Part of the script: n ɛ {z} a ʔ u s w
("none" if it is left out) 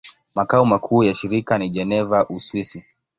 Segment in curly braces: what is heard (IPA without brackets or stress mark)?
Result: v